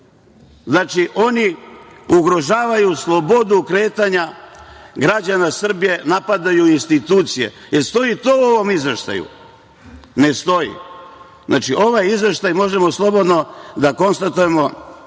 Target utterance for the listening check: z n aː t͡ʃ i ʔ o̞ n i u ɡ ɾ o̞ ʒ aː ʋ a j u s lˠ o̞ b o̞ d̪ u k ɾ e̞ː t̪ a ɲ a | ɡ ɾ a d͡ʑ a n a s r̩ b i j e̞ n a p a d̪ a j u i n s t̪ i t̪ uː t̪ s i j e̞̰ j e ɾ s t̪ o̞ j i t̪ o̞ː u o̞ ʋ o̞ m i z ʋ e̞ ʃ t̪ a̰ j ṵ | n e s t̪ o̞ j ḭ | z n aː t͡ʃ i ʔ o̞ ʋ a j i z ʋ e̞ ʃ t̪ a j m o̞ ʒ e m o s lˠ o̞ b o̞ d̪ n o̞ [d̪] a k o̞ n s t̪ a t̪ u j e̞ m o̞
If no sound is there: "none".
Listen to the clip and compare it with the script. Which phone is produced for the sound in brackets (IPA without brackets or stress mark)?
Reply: d̪